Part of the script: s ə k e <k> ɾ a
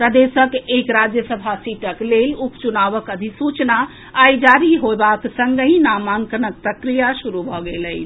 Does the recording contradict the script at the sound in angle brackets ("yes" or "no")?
no